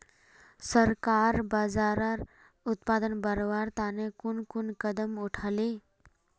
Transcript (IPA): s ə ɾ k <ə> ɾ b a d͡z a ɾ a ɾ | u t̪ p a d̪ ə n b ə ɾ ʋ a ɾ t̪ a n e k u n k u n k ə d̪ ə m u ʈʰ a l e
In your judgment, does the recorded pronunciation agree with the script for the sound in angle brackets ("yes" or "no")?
no